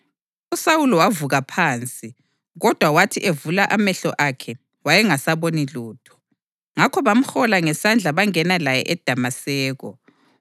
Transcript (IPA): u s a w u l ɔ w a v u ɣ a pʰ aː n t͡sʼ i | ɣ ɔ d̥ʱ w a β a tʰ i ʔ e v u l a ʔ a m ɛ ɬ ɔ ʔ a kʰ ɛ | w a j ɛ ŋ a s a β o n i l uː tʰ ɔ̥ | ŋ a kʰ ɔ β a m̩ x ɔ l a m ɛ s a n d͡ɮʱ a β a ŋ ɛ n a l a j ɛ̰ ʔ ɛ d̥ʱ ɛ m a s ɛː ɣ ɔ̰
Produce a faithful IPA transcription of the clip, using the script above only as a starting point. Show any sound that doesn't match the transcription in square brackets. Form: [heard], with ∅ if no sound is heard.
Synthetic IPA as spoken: u s a w u l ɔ w a v u ɣ a pʰ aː n t͡sʼ i | ɣ ɔ d̥ʱ w a [w] a tʰ i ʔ e v u l a ʔ a m ɛ ɬ ɔ ʔ a kʰ ɛ | w a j ɛ ŋ a s a β o n i l uː tʰ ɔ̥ | ŋ a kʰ ɔ β a m̩ x ɔ l a [ŋ] ɛ s a n d͡ɮʱ a β a ŋ ɛ n a l a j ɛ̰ ʔ ɛ d̥ʱ [a] m a s ɛː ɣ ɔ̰